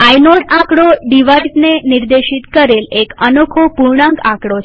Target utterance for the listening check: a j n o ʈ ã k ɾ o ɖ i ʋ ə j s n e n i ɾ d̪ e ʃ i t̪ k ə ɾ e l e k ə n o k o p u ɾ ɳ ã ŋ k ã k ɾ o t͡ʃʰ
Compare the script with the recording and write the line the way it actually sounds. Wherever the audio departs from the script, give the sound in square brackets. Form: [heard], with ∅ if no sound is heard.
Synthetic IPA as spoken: a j n o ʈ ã k [ɽ] o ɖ i ʋ [a] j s n e n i ɾ d̪ e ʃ i t̪ k ə ɾ e l e k ə n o [kʰ] o p u ɾ ɳ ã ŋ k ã k [ɽ] o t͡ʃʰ